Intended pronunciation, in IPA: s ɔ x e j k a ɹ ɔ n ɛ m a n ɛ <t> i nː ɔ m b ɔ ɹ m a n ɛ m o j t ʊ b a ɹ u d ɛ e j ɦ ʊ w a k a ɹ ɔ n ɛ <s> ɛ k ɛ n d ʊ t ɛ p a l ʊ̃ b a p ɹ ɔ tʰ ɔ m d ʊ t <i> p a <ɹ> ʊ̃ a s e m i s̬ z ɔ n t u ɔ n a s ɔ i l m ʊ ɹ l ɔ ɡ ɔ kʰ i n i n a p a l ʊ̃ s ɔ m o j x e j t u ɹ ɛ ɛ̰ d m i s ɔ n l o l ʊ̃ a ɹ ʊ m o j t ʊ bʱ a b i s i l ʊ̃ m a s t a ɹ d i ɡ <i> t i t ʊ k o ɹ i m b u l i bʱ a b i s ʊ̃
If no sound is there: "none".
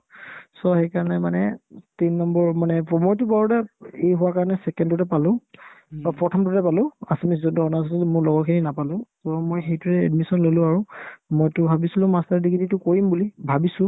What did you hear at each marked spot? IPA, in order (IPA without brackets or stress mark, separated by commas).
t, s, ɛ, l, i